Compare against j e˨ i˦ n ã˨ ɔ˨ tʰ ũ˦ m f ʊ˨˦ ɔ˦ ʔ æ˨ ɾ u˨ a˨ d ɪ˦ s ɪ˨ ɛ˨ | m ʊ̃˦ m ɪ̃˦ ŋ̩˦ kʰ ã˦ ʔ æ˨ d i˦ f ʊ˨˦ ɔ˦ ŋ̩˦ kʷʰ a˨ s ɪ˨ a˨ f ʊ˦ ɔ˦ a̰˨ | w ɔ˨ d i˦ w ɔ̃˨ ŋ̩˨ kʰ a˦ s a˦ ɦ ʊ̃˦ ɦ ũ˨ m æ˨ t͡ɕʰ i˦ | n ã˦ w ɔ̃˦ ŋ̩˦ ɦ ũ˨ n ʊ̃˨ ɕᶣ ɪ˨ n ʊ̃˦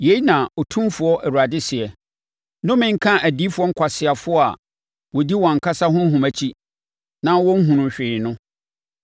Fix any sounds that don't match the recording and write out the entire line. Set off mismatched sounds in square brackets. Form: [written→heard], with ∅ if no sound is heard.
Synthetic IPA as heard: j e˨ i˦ n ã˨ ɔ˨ tʰ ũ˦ m f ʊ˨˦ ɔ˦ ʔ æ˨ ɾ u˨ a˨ d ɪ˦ s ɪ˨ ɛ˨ | [m→n] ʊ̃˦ m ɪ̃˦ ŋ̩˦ kʰ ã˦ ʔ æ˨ d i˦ f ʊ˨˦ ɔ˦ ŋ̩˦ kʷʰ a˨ s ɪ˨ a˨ f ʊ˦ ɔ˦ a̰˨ | w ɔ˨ d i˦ w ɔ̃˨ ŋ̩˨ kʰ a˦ s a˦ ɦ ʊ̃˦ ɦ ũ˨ m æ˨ t͡ɕʰ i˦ | n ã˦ w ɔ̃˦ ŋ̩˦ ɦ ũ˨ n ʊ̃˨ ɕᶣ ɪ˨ n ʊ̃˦